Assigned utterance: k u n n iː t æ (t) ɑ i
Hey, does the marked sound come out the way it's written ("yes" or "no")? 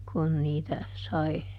no